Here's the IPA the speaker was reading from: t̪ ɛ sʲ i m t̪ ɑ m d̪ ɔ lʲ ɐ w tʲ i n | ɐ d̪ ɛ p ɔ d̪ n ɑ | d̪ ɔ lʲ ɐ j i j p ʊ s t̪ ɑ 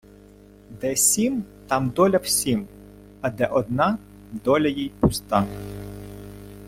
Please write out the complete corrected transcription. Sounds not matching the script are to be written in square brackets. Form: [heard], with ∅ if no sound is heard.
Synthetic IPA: [d̪] ɛ sʲ i m t̪ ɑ m d̪ ɔ lʲ ɐ w [sʲ] i [m] | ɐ d̪ ɛ [ʔ] ɔ d̪ n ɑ | d̪ ɔ lʲ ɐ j i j p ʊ s t̪ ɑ